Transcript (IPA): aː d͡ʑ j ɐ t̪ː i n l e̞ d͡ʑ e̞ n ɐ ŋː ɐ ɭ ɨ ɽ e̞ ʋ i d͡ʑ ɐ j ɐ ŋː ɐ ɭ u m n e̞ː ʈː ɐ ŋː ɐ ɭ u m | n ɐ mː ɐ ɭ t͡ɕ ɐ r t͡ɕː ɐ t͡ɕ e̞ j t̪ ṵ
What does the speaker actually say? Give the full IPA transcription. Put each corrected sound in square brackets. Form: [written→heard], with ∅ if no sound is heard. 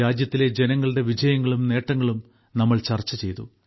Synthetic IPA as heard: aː d͡ʑ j ɐ t̪ː i [n→∅] l e̞ d͡ʑ e̞ n ɐ ŋː ɐ ɭ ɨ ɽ e̞ ʋ i d͡ʑ ɐ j ɐ ŋː ɐ ɭ u m n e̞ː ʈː ɐ ŋː ɐ ɭ u m | n ɐ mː ɐ ɭ t͡ɕ ɐ r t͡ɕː ɐ t͡ɕ e̞ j t̪ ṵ